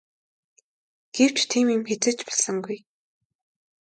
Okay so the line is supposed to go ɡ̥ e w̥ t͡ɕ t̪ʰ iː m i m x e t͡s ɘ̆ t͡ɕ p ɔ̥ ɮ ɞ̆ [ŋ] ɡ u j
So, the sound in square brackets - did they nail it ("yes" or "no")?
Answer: yes